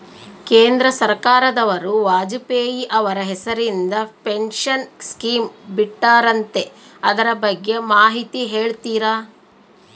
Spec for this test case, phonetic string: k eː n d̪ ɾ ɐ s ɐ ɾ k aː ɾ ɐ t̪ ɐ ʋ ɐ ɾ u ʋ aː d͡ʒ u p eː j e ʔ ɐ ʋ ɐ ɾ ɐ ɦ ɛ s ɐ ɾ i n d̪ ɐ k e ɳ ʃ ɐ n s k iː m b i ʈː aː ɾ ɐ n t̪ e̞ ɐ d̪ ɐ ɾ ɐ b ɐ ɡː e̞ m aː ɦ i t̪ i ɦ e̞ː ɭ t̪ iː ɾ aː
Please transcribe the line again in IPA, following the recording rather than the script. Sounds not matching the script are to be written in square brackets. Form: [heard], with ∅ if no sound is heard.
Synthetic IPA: k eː n d̪ ɾ ɐ s ɐ ɾ k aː ɾ ɐ [d̪] ɐ ʋ ɐ ɾ u ʋ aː d͡ʒ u p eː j [i] ʔ ɐ ʋ ɐ ɾ ɐ ɦ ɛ s ɐ ɾ i n d̪ ɐ [p] e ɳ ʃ ɐ n s k iː m b i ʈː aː ɾ ɐ n t̪ e̞ ɐ d̪ ɐ ɾ ɐ b ɐ ɡː e̞ m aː ɦ i t̪ i ɦ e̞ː ɭ t̪ iː ɾ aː